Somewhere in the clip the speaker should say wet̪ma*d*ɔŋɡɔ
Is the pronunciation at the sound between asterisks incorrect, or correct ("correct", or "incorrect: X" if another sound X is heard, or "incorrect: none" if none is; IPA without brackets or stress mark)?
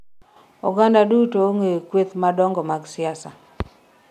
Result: correct